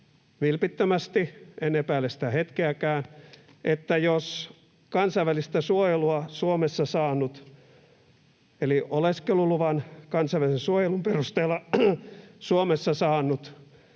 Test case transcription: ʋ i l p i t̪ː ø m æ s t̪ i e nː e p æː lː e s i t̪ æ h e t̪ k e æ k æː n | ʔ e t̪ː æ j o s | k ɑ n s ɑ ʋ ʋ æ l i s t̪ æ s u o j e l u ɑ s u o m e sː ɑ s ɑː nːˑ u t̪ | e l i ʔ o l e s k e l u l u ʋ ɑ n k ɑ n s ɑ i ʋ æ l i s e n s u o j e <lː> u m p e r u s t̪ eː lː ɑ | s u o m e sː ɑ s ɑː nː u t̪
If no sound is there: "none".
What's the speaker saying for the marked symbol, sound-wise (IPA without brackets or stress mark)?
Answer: l